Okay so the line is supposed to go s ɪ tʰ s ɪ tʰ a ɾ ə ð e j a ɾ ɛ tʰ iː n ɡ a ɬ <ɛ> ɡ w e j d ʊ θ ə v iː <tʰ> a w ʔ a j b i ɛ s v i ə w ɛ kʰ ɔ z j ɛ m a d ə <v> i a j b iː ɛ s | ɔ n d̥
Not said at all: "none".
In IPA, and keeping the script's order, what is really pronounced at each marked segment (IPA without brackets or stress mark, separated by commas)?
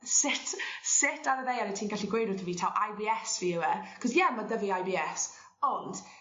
i, tʰ, v